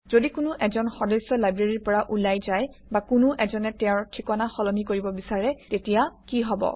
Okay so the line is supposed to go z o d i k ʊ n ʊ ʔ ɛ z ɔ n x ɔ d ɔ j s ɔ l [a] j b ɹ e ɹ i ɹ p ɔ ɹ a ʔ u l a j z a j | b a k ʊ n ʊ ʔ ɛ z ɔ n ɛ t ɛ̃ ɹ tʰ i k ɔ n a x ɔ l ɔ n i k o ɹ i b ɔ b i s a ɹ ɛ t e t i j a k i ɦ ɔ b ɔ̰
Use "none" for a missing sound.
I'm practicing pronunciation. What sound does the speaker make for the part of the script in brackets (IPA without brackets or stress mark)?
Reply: a